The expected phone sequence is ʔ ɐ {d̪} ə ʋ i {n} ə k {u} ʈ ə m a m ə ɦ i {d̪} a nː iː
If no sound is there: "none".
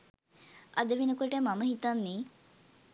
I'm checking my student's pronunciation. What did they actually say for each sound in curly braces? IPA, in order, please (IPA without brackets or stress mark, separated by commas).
d̪, n, o, t̪